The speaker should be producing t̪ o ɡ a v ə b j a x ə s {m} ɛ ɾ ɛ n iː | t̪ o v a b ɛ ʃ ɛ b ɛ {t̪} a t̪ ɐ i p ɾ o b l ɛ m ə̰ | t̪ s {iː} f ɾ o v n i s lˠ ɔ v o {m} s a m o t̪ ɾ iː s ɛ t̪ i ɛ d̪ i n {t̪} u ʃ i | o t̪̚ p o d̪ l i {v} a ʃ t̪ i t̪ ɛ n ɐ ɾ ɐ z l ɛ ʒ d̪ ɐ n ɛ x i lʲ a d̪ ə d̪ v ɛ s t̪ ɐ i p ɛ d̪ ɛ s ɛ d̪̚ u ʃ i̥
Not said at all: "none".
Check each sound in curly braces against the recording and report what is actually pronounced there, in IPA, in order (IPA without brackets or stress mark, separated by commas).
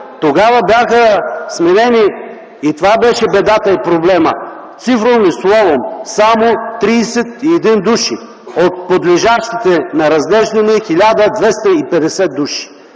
m, d̪, i, m, d̪, ʒ